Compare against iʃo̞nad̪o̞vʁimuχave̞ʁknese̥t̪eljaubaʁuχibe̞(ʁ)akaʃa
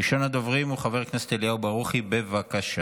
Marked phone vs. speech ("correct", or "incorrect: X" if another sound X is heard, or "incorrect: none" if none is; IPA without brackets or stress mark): incorrect: v